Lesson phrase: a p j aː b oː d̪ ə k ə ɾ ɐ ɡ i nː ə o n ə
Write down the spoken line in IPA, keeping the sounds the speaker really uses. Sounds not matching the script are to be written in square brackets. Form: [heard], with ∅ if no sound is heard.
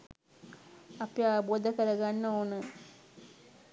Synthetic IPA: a p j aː b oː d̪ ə k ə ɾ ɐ ɡ [a] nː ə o n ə